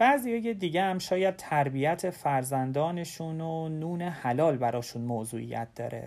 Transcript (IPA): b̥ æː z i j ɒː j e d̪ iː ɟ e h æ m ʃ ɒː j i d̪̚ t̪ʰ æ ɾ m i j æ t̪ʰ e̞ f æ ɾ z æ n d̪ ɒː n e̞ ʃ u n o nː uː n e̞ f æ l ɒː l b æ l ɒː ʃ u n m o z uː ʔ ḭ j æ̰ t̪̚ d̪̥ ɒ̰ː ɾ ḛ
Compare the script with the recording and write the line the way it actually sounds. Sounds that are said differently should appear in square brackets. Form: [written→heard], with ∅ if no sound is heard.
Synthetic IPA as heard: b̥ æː z i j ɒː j e d̪ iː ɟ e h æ m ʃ ɒː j [i→æ] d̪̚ t̪ʰ æ ɾ [m→b] i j æ t̪ʰ e̞ f æ ɾ z æ n d̪ ɒː n e̞ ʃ u n o [nː→n] uː n e̞ [f→h] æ l ɒː l b æ [l→ɾ] ɒː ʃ u n m o z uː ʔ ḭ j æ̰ t̪̚ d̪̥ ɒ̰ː ɾ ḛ